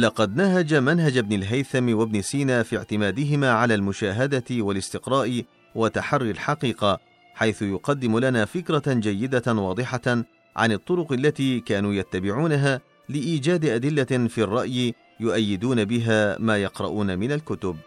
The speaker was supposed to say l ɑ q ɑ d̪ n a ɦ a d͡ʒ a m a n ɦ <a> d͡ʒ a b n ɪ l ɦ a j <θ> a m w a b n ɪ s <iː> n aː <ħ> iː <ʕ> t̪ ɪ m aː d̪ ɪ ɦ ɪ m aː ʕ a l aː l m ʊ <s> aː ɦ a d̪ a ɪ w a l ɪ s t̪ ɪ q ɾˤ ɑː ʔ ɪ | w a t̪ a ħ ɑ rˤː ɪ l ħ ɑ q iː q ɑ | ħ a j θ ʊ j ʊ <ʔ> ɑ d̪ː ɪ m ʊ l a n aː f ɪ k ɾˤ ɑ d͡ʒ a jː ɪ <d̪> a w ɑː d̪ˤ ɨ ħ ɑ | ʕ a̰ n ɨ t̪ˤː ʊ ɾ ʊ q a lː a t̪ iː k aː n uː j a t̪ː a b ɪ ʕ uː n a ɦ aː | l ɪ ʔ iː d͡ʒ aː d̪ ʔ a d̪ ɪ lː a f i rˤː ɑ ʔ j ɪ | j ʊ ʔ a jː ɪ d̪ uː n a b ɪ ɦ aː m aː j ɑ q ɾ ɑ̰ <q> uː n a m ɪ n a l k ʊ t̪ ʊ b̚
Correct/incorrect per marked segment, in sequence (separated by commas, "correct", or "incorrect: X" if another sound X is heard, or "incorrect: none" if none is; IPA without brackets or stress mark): correct, correct, correct, incorrect: f, correct, incorrect: ʃ, incorrect: q, correct, incorrect: ʔ